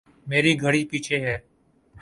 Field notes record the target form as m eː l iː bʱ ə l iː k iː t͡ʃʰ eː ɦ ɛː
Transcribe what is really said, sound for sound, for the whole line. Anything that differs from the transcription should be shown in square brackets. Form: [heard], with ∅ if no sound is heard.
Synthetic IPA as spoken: m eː [ɾ] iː [ɡʱ] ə [ɽ] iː [p] iː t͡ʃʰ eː ɦ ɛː